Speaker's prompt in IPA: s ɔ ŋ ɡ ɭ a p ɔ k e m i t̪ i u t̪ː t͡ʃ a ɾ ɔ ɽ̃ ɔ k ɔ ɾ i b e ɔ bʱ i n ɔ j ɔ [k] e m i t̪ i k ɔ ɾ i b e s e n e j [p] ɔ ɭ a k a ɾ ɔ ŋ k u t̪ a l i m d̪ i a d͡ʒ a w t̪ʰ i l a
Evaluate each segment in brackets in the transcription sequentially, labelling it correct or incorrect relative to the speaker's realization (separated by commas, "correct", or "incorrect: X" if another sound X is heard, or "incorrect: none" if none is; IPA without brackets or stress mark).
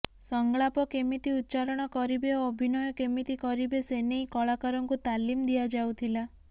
correct, incorrect: k